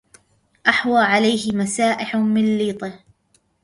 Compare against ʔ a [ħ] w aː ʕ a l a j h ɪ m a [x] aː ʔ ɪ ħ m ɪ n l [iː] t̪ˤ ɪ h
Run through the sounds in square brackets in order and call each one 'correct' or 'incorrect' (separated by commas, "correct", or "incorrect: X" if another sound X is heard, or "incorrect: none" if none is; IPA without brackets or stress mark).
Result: correct, incorrect: s, correct